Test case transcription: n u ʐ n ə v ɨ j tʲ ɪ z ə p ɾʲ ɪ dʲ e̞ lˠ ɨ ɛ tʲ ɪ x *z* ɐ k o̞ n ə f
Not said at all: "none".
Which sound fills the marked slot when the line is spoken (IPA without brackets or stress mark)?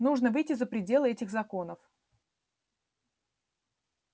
z